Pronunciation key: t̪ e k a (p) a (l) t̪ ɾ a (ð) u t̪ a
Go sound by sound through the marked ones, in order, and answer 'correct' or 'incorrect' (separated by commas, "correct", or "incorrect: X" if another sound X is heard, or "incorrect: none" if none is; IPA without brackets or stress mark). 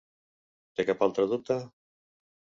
correct, correct, correct